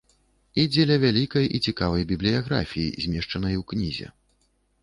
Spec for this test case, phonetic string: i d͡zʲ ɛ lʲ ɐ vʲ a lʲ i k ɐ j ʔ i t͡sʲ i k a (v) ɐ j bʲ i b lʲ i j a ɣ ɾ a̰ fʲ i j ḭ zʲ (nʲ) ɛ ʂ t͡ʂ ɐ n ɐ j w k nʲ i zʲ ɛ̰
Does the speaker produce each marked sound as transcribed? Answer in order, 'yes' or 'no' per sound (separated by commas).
yes, no